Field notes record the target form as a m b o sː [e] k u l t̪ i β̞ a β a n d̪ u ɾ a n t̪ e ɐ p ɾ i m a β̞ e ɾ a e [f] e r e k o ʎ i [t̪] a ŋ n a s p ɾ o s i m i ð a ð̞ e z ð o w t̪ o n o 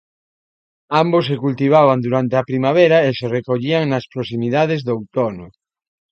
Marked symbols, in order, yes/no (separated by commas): yes, no, no